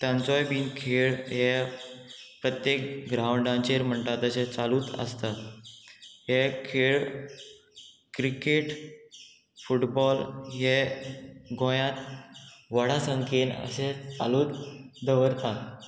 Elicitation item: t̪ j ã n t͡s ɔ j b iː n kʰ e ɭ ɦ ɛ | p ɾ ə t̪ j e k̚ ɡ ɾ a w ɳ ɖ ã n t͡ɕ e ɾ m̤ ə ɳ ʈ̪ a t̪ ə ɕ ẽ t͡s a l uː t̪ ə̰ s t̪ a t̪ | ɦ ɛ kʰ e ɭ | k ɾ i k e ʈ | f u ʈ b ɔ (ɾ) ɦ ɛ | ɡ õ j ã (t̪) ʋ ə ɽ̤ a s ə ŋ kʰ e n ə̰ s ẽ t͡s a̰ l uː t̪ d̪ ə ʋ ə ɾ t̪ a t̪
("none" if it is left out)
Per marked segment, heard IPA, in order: l, t̪

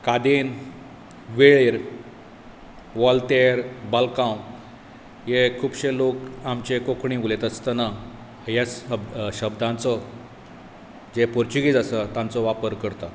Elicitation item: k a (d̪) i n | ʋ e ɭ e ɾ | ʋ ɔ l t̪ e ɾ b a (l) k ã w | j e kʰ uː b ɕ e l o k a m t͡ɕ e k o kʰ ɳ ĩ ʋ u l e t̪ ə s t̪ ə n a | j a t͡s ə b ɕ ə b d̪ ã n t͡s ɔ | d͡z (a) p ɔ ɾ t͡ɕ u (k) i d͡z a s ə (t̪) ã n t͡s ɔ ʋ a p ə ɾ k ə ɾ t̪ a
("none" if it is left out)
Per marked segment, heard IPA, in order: d̪, l, e, ɡ, t̪

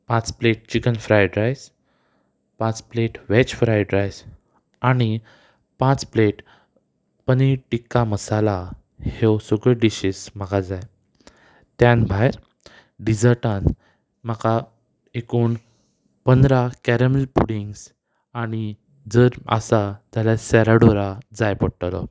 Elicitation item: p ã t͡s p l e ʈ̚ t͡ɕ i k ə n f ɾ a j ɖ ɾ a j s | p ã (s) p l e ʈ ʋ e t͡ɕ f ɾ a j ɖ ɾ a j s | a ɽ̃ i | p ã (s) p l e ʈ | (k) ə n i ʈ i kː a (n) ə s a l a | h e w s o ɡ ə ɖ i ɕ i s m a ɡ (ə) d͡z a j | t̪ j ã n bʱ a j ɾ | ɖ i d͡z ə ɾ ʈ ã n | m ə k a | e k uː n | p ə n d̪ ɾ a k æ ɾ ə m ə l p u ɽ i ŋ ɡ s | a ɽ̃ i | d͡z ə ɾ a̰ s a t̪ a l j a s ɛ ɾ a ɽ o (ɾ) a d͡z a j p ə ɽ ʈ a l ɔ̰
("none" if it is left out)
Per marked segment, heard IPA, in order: t͡s, t͡s, p, m, a, ɾ

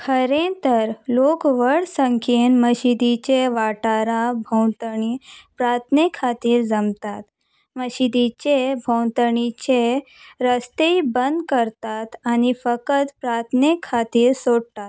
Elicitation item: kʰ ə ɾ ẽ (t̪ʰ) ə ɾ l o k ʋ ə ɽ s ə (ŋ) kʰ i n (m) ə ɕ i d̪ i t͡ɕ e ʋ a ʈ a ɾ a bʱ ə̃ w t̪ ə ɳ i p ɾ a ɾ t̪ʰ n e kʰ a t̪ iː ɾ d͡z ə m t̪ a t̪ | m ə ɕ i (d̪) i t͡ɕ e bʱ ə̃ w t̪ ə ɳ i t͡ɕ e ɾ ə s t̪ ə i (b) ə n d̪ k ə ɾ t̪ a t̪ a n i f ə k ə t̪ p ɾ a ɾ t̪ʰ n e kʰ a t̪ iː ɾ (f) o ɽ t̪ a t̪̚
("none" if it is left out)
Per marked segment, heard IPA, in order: t̪, ŋ, m, d̪, b, s

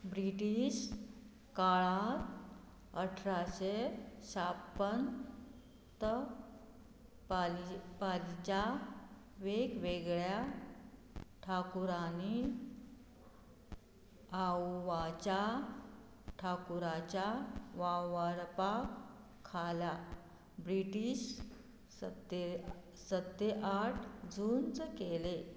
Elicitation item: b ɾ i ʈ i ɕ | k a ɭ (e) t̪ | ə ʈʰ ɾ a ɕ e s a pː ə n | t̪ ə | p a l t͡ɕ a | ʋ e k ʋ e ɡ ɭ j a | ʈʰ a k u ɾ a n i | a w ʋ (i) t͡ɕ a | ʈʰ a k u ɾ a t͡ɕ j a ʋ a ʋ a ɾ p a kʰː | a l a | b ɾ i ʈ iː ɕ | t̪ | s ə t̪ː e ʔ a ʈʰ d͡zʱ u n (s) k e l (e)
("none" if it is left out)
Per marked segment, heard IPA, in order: a, a, t͡s, e

